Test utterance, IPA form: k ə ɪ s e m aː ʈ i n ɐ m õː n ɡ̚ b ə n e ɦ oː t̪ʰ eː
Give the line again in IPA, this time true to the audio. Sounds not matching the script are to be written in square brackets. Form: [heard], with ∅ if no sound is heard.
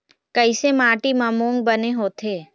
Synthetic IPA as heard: k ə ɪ s e m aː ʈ i [m] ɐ m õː [ŋ] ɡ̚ b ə n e ɦ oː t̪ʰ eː